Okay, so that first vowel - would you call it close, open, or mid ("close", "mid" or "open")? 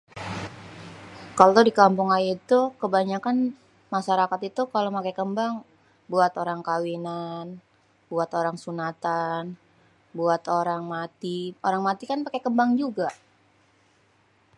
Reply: open